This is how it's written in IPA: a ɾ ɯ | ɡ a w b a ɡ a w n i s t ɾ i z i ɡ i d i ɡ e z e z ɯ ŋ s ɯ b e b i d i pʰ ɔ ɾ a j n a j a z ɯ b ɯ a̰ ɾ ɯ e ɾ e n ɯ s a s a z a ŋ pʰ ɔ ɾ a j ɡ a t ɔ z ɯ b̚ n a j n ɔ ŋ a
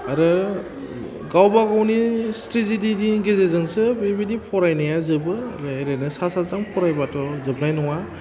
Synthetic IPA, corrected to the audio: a ɾ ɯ | ɡ a w b a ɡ a w n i s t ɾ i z i d i d i ɡ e z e z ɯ ŋ s ɯ b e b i d i pʰ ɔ ɾ a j n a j a z ɯ b ɯ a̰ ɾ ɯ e ɾ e n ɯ s a s a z a ŋ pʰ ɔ ɾ a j b a t ɔ z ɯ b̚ n a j n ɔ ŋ a